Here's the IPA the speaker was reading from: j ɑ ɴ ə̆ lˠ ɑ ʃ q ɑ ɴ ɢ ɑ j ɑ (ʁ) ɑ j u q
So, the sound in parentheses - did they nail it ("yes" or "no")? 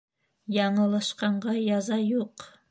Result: no